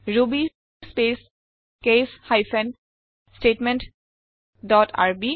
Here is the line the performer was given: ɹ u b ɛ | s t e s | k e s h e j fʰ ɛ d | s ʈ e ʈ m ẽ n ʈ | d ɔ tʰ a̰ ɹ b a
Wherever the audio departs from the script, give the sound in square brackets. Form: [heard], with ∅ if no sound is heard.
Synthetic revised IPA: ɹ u b [i] | s [p] e s | k e s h [a] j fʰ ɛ [n] | s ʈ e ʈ m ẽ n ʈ | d ɔ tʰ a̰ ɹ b [i]